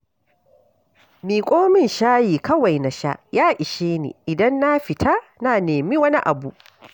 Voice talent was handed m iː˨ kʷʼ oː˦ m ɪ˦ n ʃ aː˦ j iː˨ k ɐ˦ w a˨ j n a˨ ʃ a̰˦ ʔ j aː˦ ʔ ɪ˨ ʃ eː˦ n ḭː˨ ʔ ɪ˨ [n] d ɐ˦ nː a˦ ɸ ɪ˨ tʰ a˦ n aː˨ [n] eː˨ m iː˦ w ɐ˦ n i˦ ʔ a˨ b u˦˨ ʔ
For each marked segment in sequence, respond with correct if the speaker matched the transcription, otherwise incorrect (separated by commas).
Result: incorrect, correct